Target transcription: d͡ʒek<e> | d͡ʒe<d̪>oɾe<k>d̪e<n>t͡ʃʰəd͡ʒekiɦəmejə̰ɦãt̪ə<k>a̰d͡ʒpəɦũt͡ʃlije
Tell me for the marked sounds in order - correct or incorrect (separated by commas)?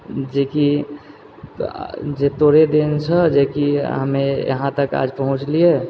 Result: incorrect, incorrect, incorrect, correct, correct